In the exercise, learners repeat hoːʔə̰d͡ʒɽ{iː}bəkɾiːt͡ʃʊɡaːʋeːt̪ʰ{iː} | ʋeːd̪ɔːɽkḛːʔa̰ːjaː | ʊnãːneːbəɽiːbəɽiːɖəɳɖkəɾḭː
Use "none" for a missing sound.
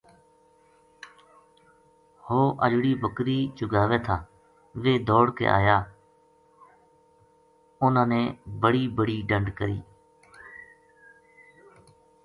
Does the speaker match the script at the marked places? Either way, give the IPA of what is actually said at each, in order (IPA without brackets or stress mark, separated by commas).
iː, aː